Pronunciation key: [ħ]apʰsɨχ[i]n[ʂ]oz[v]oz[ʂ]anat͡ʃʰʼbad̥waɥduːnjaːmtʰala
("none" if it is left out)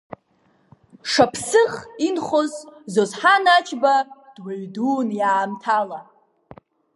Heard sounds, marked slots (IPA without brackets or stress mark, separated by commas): ʂ, i, χ, z, ħ